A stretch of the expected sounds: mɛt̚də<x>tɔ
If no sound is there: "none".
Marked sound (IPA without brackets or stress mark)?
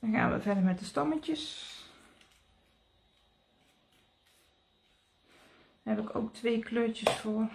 s